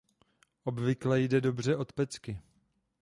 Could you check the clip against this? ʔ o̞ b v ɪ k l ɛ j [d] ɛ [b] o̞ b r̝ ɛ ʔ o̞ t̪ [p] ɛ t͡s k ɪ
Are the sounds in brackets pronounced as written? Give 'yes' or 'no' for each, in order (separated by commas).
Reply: yes, no, yes